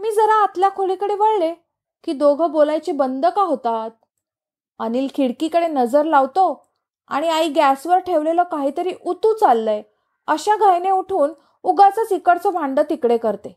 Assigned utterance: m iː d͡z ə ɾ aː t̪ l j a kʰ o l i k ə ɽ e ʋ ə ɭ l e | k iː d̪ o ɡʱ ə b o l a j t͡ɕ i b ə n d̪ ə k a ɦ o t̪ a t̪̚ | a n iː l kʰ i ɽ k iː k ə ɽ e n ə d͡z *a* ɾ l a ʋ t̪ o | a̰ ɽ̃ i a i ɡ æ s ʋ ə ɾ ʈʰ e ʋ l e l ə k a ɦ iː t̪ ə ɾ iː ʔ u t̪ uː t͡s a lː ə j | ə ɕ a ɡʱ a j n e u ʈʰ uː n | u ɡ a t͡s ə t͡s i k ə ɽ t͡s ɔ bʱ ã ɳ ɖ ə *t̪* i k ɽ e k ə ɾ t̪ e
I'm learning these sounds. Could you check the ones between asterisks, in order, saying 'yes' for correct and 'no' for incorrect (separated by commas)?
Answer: no, yes